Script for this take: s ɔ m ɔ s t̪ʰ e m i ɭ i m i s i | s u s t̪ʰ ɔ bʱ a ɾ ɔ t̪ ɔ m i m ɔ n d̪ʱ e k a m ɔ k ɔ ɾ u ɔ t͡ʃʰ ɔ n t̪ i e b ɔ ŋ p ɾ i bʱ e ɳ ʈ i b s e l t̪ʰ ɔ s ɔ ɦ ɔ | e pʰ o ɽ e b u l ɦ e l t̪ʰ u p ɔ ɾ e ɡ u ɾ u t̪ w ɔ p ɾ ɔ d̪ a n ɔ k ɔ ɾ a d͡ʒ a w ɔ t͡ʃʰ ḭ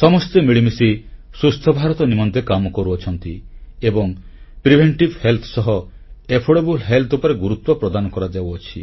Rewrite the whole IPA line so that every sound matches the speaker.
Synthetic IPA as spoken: s ɔ m ɔ s t̪ e m i ɭ i m i s i | s u s t̪ʰ ɔ bʱ a ɾ ɔ t̪ ɔ n i m ɔ n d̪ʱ e k a m ɔ k ɔ ɾ u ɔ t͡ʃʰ ɔ n t̪ i e b ɔ ŋ p ɾ i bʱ e ɳ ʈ i b h e l t̪ʰ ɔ s ɔ ɦ ɔ | e pʰ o ɽ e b u l ɦ e l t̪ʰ u p ɔ ɾ e ɡ u ɾ u t̪ w ɔ p ɾ ɔ d̪ a n ɔ k ɔ ɾ a d͡ʒ a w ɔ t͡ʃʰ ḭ